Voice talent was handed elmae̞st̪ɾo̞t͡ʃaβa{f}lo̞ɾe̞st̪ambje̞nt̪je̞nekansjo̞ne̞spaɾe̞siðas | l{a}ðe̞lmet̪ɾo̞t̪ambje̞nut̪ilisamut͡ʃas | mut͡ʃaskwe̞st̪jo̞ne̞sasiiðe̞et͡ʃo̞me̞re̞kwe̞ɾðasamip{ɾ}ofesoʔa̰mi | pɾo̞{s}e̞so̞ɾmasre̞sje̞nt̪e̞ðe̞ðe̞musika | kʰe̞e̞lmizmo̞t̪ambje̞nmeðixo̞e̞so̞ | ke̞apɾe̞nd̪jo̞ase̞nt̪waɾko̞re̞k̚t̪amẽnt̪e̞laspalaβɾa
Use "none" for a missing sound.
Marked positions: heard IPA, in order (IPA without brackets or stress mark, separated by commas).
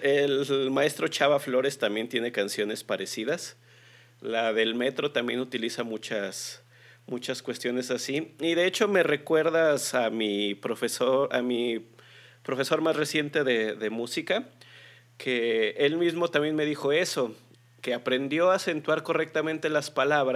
f, a, ɾ, f